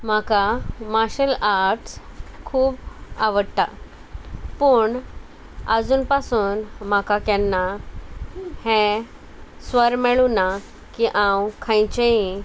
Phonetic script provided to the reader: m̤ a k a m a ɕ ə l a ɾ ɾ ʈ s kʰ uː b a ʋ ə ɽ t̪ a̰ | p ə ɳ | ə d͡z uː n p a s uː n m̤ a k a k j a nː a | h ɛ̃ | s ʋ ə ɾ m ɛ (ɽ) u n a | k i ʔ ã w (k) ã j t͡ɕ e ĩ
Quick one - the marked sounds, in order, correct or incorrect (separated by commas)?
incorrect, incorrect